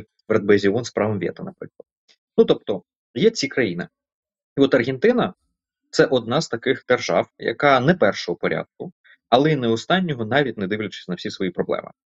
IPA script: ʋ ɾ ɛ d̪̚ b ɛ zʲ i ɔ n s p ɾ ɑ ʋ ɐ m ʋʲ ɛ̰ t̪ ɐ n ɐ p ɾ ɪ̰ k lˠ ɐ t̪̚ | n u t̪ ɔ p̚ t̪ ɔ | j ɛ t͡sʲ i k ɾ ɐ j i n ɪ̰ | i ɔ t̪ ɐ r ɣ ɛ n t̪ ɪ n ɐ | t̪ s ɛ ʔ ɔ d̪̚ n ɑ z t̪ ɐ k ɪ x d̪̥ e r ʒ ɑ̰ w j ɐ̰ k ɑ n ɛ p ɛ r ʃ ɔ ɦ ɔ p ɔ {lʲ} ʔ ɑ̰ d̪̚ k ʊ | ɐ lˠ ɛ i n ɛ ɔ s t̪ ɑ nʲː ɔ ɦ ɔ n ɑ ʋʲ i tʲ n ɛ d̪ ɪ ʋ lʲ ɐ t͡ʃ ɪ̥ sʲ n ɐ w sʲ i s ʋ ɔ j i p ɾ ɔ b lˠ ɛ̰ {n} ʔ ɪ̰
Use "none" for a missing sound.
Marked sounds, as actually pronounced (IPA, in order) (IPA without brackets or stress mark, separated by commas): ɾʲ, m